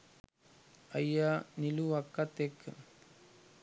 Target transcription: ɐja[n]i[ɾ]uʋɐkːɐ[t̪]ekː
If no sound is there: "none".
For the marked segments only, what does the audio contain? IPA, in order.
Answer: n, l, t̪

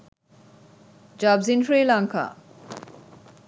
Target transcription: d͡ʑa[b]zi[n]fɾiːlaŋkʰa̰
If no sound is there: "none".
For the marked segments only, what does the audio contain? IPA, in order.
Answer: b, n

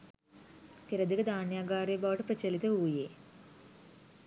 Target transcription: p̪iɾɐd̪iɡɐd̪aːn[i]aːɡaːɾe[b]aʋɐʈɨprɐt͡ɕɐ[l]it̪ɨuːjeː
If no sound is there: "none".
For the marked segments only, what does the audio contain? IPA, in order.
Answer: j, b, l

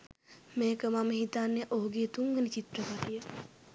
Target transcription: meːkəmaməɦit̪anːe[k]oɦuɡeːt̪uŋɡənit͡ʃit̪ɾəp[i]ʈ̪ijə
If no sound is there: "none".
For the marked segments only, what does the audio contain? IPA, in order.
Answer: ʔ, a

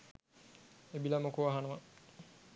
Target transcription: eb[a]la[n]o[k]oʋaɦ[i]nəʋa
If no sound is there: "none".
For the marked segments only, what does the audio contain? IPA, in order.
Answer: i, m, k, a

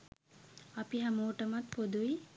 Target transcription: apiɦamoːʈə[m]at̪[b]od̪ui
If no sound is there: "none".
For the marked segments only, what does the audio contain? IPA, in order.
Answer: m, p

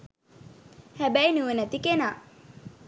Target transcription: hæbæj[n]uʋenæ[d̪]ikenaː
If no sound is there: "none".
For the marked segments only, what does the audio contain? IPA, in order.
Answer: n, t̪

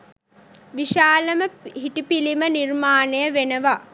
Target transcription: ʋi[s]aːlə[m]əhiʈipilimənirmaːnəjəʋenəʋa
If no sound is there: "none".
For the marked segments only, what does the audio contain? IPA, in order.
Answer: ʃ, m

